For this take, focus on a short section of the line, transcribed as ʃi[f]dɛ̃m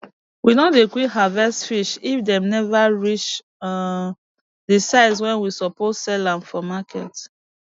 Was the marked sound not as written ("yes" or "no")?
no